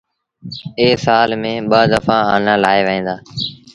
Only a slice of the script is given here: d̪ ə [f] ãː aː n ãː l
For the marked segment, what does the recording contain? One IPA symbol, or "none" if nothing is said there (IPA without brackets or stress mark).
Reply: f